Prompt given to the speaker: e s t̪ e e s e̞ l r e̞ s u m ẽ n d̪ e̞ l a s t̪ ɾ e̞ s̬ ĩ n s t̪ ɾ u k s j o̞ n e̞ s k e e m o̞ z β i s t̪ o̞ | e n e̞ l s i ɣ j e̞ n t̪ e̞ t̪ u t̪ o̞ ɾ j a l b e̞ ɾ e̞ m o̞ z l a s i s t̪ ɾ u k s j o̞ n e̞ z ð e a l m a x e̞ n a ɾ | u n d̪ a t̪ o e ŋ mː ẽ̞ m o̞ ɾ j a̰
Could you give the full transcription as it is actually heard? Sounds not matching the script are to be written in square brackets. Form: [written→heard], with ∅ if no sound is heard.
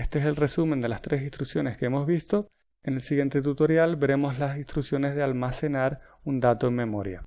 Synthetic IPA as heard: e s t̪ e e s e̞ l r e̞ s u m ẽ n d̪ e̞ l a s t̪ ɾ e̞ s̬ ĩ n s t̪ ɾ u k s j o̞ n e̞ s k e e m o̞ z β i s t̪ o̞ | e n e̞ l s i ɣ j e̞ n t̪ e̞ t̪ u t̪ o̞ ɾ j a l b e̞ ɾ e̞ m o̞ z l a s i s t̪ ɾ u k s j o̞ n e̞ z ð e a l m a [x→s] e̞ n a ɾ | u n d̪ a t̪ o e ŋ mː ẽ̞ m o̞ ɾ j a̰